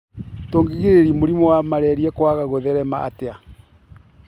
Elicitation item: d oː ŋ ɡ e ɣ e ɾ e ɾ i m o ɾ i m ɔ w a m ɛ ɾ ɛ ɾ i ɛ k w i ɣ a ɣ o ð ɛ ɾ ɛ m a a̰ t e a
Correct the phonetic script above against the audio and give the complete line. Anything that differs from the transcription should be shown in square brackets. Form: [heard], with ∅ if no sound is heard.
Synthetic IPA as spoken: [t] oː ŋ ɡ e ɣ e ɾ e ɾ i m o ɾ i m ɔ w a m [a] ɾ ɛ ɾ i ɛ k w [a] ɣ a ɣ o ð ɛ ɾ ɛ m a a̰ t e a